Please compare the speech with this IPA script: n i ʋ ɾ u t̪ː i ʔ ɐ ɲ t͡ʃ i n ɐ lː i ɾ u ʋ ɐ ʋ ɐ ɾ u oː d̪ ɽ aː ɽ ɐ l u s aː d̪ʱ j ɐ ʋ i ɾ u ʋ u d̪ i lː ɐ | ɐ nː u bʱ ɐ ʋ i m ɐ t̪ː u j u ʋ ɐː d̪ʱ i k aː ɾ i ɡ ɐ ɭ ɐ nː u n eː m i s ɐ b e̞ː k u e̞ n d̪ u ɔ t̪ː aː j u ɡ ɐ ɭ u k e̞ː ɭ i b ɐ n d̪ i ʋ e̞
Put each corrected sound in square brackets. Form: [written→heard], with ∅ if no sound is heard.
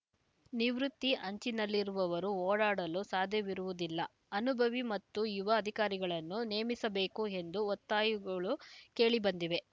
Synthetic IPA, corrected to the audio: n i ʋ ɾ u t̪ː i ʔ ɐ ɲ t͡ʃ i n ɐ lː i ɾ u ʋ ɐ ʋ ɐ ɾ u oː [d̪→∅] ɽ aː ɽ ɐ l u s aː d̪ʱ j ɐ ʋ i ɾ u ʋ u d̪ i lː ɐ | ɐ [nː→n] u bʱ ɐ ʋ i m ɐ t̪ː u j u ʋ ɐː d̪ʱ i k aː ɾ i ɡ ɐ ɭ ɐ nː u n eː m i s ɐ b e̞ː k u e̞ n d̪ u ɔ t̪ː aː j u ɡ ɐ ɭ u k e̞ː ɭ i b ɐ n d̪ i ʋ e̞